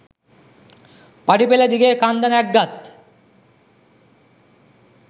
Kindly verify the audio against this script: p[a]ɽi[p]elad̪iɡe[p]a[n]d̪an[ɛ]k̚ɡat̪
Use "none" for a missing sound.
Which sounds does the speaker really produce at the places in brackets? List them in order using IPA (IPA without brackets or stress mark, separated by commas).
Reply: a, p, k, n, ɛ